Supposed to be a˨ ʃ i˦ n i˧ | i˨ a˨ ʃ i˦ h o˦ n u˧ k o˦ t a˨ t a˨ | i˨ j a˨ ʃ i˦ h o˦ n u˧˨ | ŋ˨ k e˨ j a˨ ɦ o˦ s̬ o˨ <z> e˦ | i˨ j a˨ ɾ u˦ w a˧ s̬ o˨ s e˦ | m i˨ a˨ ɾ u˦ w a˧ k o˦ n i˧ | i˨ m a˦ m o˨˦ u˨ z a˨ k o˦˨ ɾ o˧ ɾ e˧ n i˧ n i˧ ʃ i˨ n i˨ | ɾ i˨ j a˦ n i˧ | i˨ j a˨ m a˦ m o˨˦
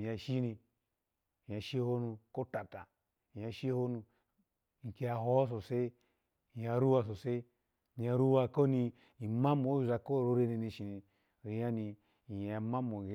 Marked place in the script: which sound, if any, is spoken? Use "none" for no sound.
s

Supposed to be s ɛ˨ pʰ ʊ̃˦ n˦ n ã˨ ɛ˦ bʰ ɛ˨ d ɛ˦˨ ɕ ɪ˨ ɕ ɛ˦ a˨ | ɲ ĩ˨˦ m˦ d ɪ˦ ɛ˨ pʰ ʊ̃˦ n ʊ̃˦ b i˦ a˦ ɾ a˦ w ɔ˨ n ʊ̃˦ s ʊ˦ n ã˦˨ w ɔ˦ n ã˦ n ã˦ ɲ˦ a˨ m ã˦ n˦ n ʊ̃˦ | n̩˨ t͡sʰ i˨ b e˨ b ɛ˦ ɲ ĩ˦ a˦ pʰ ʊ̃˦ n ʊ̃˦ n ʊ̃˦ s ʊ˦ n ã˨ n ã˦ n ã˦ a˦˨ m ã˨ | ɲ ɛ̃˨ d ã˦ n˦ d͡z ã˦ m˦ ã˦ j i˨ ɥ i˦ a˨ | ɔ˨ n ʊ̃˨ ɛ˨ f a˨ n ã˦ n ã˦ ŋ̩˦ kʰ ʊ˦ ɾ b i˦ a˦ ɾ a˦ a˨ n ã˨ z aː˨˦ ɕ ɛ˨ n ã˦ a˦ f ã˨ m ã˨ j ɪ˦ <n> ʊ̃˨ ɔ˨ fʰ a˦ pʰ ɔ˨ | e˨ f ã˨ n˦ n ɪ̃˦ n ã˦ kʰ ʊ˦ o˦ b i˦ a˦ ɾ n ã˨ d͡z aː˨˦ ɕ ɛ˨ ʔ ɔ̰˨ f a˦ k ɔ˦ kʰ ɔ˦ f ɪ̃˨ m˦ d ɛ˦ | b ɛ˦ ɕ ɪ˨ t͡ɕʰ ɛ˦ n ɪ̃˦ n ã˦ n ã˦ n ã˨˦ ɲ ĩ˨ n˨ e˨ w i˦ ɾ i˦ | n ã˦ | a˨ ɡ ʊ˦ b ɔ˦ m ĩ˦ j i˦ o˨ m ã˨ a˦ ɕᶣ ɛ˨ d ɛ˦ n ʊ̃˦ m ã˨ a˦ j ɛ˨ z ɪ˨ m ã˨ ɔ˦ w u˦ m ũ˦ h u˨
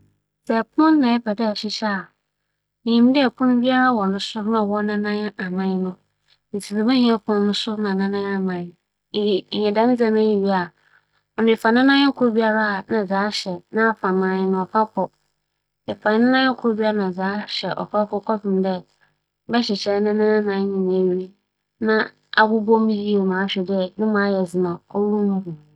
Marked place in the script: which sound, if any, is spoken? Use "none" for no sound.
n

